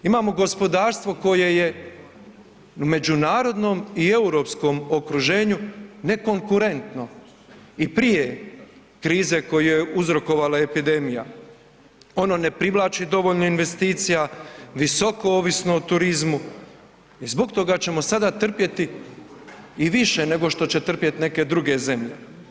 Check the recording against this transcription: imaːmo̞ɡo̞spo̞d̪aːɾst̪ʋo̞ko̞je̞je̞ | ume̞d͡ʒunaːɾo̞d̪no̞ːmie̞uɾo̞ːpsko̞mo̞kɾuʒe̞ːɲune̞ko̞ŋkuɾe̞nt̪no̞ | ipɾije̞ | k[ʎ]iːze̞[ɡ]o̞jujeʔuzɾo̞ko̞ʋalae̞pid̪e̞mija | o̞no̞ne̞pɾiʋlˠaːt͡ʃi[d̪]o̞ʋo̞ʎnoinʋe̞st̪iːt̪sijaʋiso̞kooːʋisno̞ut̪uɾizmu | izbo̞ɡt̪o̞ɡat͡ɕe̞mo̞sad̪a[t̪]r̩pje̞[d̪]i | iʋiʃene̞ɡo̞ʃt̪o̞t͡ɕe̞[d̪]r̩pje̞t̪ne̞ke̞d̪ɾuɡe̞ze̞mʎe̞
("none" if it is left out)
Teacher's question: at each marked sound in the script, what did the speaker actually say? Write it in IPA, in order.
ɾ, k, d̪, t̪, t̪, t̪

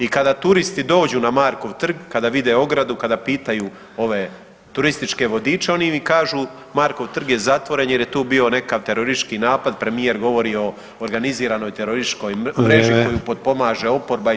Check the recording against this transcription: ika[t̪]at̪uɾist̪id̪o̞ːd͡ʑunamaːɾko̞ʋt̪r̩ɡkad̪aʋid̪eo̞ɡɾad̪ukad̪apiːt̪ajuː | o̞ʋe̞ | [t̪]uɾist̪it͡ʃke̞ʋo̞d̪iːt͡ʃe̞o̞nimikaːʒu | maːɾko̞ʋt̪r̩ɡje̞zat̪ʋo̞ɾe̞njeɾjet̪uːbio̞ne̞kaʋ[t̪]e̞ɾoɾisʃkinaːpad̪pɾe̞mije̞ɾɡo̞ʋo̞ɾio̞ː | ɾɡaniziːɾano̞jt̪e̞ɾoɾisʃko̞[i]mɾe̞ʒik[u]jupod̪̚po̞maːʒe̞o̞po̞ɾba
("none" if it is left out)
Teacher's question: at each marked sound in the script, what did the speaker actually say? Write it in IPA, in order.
d̪, t̪, t̪, j, o

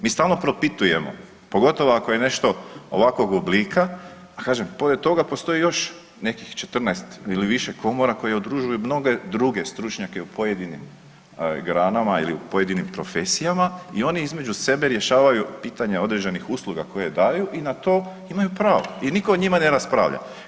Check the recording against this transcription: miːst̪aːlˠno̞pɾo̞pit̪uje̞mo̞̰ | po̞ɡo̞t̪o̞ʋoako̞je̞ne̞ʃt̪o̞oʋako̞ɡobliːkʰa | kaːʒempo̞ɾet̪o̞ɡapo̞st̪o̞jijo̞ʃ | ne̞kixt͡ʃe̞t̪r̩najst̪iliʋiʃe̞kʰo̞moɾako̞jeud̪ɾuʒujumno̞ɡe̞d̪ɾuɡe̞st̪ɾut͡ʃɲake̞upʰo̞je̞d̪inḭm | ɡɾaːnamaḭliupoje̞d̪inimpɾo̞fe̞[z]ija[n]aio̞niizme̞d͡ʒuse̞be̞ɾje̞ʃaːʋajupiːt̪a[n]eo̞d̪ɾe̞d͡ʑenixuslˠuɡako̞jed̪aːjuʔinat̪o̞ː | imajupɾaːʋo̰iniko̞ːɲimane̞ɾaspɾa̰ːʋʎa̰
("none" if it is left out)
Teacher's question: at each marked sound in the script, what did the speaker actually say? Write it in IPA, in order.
s, m, ɲ

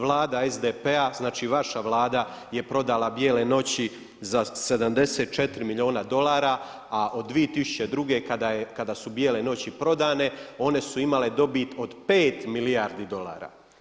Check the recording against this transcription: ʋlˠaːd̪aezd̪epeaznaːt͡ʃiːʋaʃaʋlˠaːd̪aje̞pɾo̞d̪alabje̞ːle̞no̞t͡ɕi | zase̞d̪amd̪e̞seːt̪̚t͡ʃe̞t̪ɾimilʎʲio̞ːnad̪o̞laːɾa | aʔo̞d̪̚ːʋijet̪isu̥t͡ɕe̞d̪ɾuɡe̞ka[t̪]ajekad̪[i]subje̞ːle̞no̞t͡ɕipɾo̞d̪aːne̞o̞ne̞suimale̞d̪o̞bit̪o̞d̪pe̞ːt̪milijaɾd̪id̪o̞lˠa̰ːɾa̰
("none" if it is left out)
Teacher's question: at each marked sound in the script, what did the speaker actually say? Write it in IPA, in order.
d̪, a

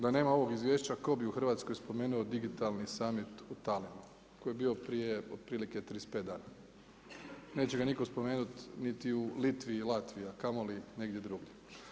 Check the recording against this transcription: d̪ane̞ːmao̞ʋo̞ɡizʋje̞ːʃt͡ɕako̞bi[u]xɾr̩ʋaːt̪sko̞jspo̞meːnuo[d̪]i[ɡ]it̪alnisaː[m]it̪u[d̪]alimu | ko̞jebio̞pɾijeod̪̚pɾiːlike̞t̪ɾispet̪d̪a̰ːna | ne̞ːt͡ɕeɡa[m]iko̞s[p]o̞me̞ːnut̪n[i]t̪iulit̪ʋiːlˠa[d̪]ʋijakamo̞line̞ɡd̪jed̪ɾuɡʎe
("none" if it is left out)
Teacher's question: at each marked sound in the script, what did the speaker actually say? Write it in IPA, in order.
u, d̪, ɡ, m, t̪, n, p, i, t̪

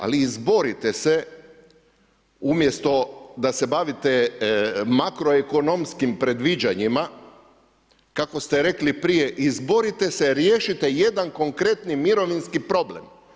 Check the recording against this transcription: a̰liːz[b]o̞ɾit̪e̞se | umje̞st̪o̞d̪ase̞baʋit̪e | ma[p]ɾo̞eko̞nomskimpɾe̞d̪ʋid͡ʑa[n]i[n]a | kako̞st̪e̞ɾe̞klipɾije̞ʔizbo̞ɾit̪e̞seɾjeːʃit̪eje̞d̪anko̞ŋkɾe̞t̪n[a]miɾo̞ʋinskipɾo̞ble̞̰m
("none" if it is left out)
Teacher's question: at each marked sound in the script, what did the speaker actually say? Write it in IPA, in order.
b, k, ɲ, m, i

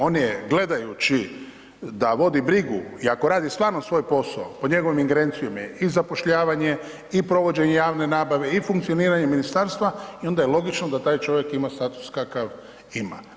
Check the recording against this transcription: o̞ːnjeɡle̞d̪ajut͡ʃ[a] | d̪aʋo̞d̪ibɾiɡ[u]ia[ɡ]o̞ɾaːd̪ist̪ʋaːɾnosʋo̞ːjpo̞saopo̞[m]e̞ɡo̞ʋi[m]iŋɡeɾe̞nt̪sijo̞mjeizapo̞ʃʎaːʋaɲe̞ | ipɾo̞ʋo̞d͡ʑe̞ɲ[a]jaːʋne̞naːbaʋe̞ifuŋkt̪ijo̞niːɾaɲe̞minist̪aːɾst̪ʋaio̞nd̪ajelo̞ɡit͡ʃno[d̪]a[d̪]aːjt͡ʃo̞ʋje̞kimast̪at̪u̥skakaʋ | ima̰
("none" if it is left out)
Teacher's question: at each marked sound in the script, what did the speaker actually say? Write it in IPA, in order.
i, u, k, ɲ, m, e, d̪, t̪

